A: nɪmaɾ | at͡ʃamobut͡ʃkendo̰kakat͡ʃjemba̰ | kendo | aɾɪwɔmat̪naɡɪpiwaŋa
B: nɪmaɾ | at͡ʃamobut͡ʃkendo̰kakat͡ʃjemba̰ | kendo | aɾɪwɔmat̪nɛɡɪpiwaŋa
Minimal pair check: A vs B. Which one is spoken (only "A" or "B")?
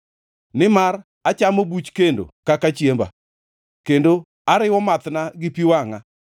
A